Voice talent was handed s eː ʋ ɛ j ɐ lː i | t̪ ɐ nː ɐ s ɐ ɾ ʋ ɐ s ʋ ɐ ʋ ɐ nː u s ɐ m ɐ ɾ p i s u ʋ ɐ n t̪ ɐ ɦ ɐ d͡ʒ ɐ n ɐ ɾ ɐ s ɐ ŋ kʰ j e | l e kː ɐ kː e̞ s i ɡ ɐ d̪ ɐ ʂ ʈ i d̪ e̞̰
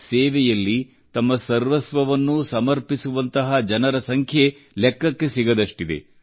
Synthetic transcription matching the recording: s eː ʋ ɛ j ɐ lː i | t̪ ɐ mː ɐ s ɐ ɾ ʋ ɐ s ʋ ɐ ʋ ɐ nː u s ɐ m ɐ ɾ p i s u ʋ ɐ n t̪ ɐ ɦ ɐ d͡ʒ ɐ n ɐ ɾ ɐ s ɐ ŋ kʰ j e | l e kː ɐ kː e̞ s i ɡ ɐ d̪ ɐ ʂ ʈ i d̪ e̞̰